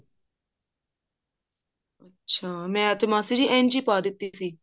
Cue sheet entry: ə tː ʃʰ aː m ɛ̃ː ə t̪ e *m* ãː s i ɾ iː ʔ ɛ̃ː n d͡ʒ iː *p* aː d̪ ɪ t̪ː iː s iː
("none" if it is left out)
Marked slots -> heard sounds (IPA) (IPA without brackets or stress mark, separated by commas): m, p